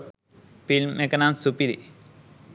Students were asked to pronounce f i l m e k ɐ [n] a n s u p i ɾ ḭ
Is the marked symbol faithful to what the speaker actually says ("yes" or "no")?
yes